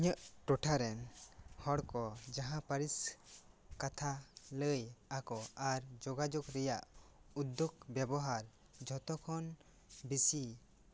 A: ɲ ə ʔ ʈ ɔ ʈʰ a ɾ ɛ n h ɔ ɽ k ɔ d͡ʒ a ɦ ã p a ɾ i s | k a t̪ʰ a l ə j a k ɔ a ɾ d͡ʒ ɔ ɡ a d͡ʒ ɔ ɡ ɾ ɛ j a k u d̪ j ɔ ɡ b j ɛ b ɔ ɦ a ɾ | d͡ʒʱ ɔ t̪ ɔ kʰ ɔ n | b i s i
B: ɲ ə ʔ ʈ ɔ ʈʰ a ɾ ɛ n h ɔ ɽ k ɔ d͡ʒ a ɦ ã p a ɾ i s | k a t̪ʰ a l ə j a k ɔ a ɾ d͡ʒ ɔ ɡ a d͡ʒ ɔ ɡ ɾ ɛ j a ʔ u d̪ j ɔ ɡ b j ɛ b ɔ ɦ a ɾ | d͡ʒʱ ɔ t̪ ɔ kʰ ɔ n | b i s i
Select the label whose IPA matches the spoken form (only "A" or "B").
B